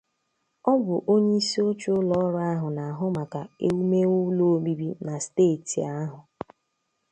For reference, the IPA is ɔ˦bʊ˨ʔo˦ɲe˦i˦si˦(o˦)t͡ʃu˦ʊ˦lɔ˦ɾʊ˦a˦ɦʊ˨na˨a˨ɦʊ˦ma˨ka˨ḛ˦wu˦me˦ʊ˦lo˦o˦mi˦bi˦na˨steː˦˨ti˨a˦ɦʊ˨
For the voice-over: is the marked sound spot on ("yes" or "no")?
yes